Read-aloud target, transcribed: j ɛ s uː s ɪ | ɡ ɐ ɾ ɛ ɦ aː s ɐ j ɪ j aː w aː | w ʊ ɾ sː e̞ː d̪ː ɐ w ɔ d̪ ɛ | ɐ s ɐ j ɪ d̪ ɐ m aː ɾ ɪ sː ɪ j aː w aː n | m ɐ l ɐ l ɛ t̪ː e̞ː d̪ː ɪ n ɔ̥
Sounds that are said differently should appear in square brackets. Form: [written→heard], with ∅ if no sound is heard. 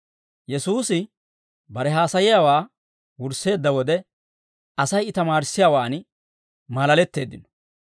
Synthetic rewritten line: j ɛ s uː s ɪ | [ɡ→b] ɐ ɾ ɛ ɦ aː s ɐ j ɪ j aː w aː | w ʊ ɾ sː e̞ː d̪ː ɐ w ɔ d̪ ɛ | ɐ s ɐ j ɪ [d̪→t̪] ɐ m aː ɾ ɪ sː ɪ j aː w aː n | m ɐ l ɐ l ɛ t̪ː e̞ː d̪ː ɪ n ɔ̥

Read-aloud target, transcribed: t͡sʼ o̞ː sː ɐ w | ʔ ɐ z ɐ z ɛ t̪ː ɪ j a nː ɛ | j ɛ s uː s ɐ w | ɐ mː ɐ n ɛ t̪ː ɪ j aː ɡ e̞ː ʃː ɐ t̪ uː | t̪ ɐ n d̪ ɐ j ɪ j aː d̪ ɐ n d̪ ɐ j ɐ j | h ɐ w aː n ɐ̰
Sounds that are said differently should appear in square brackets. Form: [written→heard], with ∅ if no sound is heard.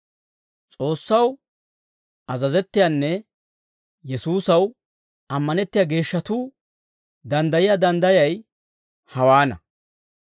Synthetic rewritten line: t͡sʼ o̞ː sː ɐ w | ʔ ɐ z ɐ z ɛ t̪ː ɪ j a nː ɛ | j ɛ s uː s ɐ w | ɐ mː ɐ n ɛ t̪ː ɪ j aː ɡ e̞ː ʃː ɐ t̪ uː | [t̪→d̪] ɐ n d̪ ɐ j ɪ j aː d̪ ɐ n d̪ ɐ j ɐ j | h ɐ w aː n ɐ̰

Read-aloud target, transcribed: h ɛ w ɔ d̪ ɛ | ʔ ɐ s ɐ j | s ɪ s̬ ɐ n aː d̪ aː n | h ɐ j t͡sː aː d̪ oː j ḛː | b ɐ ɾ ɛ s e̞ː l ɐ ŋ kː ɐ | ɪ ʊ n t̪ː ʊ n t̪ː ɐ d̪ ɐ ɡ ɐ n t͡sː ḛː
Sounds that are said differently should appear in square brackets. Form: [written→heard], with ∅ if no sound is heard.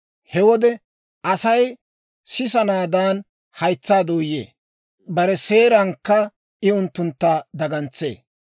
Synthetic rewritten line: h ɛ w ɔ d̪ ɛ | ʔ ɐ s ɐ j | s ɪ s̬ ɐ n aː d̪ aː n | h ɐ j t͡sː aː d̪ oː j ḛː | b ɐ ɾ ɛ s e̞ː [l→ɾ] ɐ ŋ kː ɐ | ɪ ʊ n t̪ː ʊ n t̪ː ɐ d̪ ɐ ɡ ɐ n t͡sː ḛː

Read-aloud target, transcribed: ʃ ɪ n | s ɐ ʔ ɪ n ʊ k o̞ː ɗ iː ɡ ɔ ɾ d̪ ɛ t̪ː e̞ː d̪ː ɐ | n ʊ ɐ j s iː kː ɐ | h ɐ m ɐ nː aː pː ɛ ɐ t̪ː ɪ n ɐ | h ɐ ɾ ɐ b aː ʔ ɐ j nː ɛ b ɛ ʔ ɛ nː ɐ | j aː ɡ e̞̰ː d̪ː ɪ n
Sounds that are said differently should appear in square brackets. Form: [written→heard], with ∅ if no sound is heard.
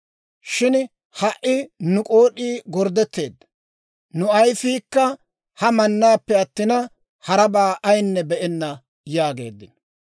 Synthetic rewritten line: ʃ ɪ n | [s→h] ɐ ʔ ɪ n ʊ [k→kʼ] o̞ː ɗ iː ɡ ɔ ɾ d̪ ɛ t̪ː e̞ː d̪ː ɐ | n ʊ ɐ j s iː kː ɐ | h ɐ m ɐ nː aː pː ɛ ɐ t̪ː ɪ n ɐ | h ɐ ɾ ɐ b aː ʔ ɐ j nː ɛ b ɛ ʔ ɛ nː ɐ | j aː ɡ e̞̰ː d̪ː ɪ n

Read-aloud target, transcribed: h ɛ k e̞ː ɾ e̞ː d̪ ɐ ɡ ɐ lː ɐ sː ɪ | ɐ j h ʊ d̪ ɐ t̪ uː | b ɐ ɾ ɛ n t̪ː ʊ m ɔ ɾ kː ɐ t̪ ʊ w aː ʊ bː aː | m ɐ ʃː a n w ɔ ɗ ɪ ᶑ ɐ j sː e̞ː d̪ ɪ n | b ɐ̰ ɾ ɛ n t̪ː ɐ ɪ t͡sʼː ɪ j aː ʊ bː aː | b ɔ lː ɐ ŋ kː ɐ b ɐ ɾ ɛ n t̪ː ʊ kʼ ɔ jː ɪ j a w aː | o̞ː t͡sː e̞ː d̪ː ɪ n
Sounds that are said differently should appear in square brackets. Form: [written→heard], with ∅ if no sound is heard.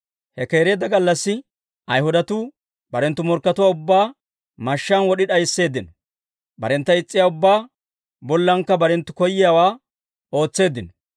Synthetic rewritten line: h ɛ k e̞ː ɾ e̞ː d̪ ɐ ɡ ɐ lː ɐ sː ɪ | ɐ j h ʊ d̪ ɐ t̪ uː | b ɐ ɾ ɛ n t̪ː ʊ m ɔ ɾ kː ɐ t̪ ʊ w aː ʊ bː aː | m ɐ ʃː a n w ɔ ɗ ɪ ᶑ ɐ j sː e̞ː d̪ ɪ n | b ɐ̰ ɾ ɛ n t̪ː ɐ ɪ t͡sʼː ɪ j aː ʊ bː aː | b ɔ lː ɐ ŋ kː ɐ b ɐ ɾ ɛ n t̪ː ʊ [kʼ→k] ɔ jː ɪ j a w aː | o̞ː t͡sː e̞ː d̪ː ɪ n

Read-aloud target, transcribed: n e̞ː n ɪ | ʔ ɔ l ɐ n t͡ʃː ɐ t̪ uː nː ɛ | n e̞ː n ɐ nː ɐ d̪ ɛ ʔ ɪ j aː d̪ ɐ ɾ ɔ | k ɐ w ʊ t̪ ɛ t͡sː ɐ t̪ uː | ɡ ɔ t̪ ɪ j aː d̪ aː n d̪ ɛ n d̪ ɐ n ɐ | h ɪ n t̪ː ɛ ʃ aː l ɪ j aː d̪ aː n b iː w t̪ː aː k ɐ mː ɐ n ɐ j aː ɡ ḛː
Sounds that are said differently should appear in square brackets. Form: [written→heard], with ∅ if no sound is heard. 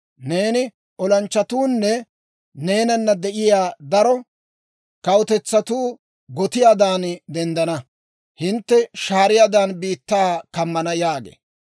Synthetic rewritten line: n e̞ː n ɪ | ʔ ɔ l ɐ n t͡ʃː ɐ t̪ uː nː ɛ | n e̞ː n ɐ nː ɐ d̪ ɛ ʔ ɪ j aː d̪ ɐ ɾ ɔ | k ɐ w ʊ t̪ ɛ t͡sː ɐ t̪ uː | ɡ ɔ t̪ ɪ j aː d̪ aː n d̪ ɛ n d̪ ɐ n ɐ | h ɪ n t̪ː ɛ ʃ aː [l→ɾ] ɪ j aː d̪ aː n b iː [w→∅] t̪ː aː k ɐ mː ɐ n ɐ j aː ɡ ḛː

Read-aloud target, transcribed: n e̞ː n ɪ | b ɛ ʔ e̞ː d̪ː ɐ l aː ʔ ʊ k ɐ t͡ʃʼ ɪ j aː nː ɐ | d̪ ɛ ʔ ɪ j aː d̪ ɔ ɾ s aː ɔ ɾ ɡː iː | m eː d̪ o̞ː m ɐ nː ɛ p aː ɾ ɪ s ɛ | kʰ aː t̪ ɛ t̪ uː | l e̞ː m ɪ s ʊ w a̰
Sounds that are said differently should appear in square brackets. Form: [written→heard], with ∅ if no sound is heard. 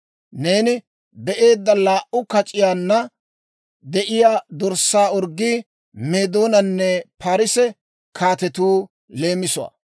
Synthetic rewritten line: n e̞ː n ɪ | b ɛ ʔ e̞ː d̪ː ɐ l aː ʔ ʊ k ɐ t͡ʃʼ ɪ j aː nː ɐ | d̪ ɛ ʔ ɪ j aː d̪ ɔ ɾ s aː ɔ ɾ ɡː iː | m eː d̪ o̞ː [m→n] ɐ nː ɛ p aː ɾ ɪ s ɛ | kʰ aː t̪ ɛ t̪ uː | l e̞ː m ɪ s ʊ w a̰

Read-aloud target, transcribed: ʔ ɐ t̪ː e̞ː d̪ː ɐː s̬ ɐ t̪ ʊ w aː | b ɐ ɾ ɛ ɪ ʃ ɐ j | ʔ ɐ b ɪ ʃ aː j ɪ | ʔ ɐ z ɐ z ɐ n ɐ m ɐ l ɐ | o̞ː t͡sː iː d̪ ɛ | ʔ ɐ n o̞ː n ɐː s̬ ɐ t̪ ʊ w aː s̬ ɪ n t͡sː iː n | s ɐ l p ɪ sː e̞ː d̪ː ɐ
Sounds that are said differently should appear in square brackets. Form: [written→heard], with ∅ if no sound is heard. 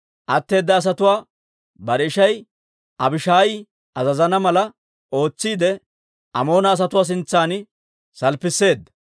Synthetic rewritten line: ʔ ɐ t̪ː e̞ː d̪ː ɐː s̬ ɐ t̪ ʊ w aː | b ɐ ɾ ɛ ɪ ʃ ɐ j | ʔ ɐ b ɪ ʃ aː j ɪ | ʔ ɐ z ɐ z ɐ n ɐ m ɐ l ɐ | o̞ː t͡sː iː d̪ ɛ | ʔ ɐ [n→m] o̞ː n ɐː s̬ ɐ t̪ ʊ w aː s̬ ɪ n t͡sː [iː→aː] n | s ɐ l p ɪ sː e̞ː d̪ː ɐ

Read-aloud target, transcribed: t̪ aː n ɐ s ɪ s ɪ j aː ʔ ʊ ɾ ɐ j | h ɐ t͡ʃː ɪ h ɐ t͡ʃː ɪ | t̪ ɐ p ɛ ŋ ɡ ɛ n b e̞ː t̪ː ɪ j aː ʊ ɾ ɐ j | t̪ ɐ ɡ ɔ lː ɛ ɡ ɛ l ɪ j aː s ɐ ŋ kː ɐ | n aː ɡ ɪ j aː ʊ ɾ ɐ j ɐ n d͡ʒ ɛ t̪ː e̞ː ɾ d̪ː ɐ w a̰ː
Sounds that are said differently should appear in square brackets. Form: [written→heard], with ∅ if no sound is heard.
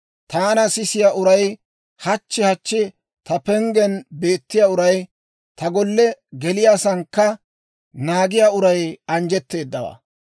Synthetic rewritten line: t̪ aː n ɐ s ɪ s ɪ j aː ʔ ʊ ɾ ɐ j | h ɐ t͡ʃː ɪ h ɐ t͡ʃː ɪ | t̪ ɐ p ɛ ŋ ɡ ɛ n b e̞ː t̪ː ɪ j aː ʊ ɾ ɐ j | t̪ ɐ ɡ ɔ lː ɛ ɡ ɛ l ɪ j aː s ɐ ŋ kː ɐ | n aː ɡ ɪ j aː ʊ ɾ ɐ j ɐ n d͡ʒ ɛ t̪ː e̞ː [ɾ→∅] d̪ː ɐ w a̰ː

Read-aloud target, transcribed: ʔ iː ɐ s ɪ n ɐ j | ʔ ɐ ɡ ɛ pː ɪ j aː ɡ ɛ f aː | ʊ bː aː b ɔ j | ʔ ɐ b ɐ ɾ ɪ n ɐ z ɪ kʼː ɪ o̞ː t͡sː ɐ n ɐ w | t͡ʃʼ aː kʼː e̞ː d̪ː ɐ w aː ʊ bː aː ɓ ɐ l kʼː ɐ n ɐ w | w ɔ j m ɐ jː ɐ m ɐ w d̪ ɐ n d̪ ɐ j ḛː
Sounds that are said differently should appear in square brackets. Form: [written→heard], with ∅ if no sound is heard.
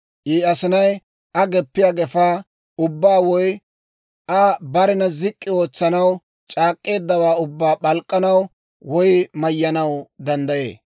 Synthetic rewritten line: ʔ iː ɐ s ɪ n ɐ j | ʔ ɐ ɡ ɛ pː ɪ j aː ɡ ɛ f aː | ʊ bː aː [b→w] ɔ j | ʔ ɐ b ɐ ɾ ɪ n ɐ z ɪ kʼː ɪ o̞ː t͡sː ɐ n ɐ w | t͡ʃʼ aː kʼː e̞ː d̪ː ɐ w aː ʊ bː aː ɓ ɐ l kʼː ɐ n ɐ w | w ɔ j m ɐ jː ɐ [m→n] ɐ w d̪ ɐ n d̪ ɐ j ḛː

